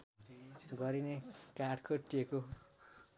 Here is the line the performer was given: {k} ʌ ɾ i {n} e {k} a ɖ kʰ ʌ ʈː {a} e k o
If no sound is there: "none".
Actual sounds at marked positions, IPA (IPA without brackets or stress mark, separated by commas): ɡ, n, k, i